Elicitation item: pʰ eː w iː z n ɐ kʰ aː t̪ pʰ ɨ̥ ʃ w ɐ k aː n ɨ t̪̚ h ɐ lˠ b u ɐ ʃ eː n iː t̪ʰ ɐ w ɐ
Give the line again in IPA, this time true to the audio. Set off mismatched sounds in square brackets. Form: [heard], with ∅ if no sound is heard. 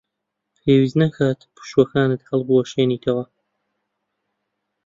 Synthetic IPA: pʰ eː w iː z n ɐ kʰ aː t̪ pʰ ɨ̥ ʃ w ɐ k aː n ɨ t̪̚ h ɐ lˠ b u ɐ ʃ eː n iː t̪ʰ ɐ w ɐ